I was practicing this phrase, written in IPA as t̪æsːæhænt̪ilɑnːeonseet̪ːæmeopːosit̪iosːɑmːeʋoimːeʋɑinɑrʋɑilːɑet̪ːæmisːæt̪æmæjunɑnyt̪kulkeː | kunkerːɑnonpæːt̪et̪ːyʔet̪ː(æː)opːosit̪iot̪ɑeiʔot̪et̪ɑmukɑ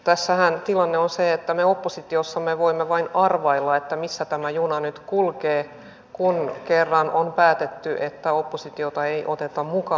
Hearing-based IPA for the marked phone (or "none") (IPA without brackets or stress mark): æ